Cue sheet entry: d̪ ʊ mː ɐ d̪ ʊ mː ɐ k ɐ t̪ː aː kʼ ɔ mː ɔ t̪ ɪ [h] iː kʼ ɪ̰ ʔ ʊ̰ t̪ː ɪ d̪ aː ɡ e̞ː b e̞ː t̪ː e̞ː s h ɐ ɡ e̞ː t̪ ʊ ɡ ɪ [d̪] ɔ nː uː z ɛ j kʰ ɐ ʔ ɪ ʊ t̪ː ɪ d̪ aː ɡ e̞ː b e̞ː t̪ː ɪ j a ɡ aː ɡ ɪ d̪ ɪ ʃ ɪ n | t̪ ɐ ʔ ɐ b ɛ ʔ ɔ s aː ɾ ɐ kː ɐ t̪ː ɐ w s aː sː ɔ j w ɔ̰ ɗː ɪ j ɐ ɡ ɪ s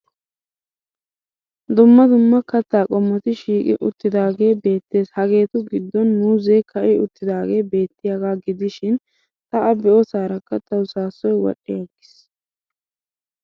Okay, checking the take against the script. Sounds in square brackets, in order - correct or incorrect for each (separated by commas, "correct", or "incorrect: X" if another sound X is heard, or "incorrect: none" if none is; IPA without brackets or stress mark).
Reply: incorrect: ʃ, incorrect: d̪ː